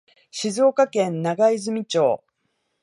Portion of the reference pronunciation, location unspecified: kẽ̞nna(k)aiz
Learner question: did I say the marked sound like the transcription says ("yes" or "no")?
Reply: no